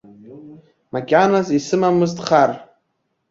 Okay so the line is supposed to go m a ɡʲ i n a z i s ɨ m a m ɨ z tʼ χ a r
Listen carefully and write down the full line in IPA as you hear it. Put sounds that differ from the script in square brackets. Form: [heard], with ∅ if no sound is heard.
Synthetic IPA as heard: m a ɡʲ [a] n a z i s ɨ m a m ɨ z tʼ χ a r